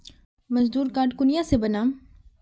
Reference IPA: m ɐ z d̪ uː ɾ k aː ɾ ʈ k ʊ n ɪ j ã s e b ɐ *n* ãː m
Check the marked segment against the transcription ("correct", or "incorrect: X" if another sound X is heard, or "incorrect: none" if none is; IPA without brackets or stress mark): correct